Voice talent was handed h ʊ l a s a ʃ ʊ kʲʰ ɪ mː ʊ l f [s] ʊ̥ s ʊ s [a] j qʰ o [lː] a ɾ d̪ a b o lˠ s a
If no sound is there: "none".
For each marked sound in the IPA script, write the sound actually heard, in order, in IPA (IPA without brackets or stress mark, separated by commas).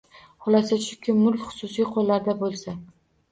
χ, i, lː